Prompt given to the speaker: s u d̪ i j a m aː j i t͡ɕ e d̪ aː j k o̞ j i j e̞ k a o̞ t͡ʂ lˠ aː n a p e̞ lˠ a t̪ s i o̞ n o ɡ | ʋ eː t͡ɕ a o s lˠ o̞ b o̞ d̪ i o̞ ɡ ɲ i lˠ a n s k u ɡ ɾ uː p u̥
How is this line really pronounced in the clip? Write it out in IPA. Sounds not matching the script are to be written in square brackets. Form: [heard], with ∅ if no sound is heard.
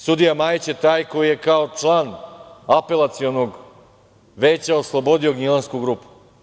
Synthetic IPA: s u d̪ i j a m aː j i t͡ɕ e [t̪] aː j k o̞ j i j e̞ k a o̞ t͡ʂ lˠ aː n a p e̞ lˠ a t̪ s i o̞ n o ɡ | ʋ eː t͡ɕ a o s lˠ o̞ b o̞ d̪ i o̞ ɡ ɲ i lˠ a n s k u ɡ ɾ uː p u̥